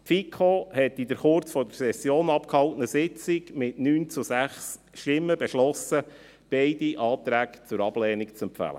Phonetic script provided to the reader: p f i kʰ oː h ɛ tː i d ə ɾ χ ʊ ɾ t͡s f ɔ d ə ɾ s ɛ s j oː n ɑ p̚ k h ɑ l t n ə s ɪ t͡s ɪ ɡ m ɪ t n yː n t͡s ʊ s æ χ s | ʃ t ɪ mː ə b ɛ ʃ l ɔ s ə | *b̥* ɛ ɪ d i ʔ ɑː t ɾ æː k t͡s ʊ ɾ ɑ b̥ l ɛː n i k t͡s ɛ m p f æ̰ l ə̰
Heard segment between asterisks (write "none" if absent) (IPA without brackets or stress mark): b̥